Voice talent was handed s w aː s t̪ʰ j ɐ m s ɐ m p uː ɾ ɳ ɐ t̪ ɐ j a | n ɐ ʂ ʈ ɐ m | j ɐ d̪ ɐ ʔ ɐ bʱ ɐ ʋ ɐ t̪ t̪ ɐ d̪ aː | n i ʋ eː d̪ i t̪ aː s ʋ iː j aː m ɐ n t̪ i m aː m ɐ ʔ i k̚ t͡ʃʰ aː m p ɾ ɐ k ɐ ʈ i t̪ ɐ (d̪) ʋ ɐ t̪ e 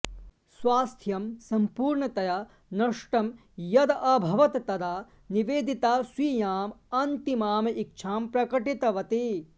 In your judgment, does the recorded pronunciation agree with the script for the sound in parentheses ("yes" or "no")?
no